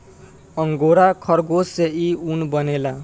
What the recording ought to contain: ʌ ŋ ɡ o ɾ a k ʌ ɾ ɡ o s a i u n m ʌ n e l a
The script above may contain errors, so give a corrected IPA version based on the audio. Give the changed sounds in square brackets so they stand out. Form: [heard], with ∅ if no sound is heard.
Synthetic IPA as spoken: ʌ ŋ ɡ o ɾ a [kʰ] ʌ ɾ ɡ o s [e] i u n [b] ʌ n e l a